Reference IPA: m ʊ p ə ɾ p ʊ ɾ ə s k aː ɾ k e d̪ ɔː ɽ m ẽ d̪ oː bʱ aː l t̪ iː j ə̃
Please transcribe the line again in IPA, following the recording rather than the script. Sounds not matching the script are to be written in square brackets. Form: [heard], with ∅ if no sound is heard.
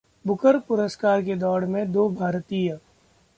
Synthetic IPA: [b] ʊ [k] ə ɾ p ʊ ɾ ə s k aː ɾ k e d̪ ɔː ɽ m ẽ d̪ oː bʱ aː [ɾ] t̪ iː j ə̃